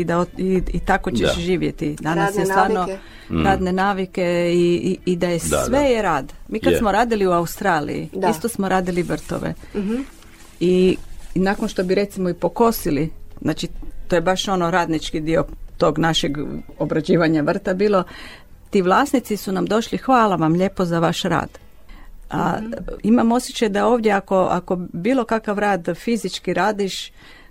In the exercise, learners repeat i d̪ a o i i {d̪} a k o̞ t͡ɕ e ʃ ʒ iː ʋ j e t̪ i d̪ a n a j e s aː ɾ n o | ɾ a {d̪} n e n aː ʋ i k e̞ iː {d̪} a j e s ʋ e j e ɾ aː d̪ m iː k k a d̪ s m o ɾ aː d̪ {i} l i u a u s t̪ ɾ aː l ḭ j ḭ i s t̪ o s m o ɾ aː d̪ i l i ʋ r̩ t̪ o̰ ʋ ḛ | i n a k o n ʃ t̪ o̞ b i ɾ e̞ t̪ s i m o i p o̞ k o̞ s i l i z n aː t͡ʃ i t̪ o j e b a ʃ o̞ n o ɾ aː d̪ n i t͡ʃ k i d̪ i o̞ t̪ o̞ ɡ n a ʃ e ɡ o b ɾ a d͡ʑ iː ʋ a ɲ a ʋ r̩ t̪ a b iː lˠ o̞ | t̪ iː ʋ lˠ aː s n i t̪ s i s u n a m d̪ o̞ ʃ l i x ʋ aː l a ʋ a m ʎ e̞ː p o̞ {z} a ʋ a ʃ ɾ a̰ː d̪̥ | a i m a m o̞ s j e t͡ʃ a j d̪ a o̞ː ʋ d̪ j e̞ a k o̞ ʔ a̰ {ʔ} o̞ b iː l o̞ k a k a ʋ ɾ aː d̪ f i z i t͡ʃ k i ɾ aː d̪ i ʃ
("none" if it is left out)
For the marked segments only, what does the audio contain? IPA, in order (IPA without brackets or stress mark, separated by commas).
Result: t̪, d̪, d̪, i, z, k